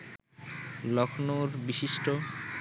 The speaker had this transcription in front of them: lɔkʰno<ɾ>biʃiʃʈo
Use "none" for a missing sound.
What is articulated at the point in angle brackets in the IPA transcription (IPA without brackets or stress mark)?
ɾ